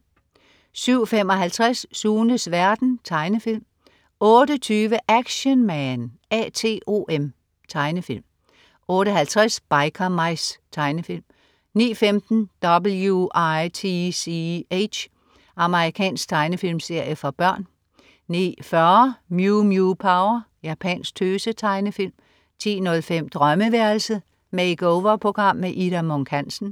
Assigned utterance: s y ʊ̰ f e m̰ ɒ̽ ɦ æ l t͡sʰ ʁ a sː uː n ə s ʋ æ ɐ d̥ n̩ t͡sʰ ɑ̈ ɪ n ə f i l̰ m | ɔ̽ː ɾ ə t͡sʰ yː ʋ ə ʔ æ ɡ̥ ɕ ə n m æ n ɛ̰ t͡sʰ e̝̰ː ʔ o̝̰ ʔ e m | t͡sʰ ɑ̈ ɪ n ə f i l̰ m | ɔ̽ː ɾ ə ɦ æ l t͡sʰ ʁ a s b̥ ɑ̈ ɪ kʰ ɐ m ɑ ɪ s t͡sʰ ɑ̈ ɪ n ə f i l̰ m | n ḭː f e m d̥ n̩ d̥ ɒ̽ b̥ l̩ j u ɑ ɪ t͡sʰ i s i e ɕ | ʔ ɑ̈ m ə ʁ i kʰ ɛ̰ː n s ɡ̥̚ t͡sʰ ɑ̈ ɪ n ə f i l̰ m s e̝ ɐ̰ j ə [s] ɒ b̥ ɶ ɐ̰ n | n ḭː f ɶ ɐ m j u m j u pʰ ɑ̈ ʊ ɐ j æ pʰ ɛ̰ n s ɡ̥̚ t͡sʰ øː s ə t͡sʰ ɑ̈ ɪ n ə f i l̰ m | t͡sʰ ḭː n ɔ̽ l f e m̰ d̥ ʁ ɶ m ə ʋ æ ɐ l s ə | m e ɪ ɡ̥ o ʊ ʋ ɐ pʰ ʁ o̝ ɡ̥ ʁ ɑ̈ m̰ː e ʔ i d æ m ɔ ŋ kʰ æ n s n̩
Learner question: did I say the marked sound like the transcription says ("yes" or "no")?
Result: no